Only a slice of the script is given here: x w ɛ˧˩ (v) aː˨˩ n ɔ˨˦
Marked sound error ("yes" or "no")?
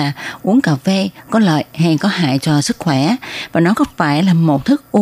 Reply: no